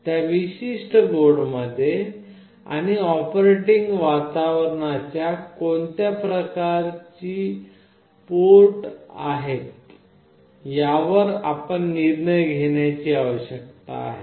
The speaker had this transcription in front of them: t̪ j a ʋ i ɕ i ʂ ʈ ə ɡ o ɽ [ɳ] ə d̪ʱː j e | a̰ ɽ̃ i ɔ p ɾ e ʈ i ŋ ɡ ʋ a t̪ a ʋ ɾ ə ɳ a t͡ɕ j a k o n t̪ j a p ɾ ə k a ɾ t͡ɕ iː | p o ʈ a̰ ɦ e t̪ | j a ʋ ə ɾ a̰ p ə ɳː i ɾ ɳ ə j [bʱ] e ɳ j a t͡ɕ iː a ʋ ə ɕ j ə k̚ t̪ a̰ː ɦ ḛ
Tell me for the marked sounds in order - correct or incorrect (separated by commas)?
incorrect, incorrect